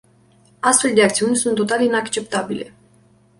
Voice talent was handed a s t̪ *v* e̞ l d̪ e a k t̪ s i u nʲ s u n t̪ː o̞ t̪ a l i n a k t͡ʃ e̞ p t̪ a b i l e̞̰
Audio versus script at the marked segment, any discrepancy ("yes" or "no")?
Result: yes